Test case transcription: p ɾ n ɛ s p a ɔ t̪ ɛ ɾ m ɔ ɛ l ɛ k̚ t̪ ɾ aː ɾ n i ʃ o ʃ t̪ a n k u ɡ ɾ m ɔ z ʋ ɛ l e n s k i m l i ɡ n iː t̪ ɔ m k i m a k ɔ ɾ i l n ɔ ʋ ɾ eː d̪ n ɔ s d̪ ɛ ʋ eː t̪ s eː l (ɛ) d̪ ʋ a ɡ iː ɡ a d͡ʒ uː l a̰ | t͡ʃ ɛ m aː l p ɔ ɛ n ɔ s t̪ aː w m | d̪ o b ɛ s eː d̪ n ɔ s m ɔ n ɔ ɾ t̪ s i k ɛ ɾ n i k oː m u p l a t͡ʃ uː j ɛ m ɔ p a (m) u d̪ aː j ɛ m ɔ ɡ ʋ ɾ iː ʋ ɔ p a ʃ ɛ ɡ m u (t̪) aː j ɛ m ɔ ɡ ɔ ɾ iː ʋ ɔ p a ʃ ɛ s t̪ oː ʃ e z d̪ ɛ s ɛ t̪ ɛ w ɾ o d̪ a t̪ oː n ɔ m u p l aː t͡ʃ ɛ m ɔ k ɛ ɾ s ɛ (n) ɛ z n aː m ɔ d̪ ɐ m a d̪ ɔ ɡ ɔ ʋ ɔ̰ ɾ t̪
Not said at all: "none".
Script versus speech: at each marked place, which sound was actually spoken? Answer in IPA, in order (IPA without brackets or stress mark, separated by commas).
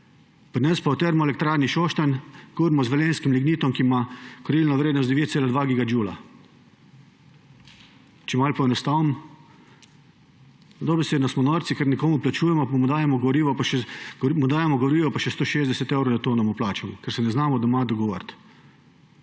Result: a, m, d̪, n